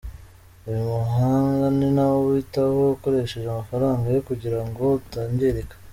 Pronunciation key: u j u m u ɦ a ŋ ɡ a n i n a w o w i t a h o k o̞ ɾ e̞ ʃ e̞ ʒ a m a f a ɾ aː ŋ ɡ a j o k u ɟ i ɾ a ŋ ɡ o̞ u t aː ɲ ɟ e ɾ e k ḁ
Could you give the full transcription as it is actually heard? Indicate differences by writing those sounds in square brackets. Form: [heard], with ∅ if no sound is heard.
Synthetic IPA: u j u m u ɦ a ŋ ɡ a n i n a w o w i t a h o k o̞ ɾ e̞ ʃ e̞ ʒ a m a f a ɾ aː ŋ ɡ a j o k u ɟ i ɾ a ŋ ɡ o̞ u t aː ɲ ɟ e ɾ e k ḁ